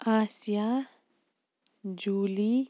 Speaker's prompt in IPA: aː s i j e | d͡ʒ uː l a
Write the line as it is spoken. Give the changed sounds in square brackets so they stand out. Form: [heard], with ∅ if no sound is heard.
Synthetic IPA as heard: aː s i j [a] | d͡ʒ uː l [i]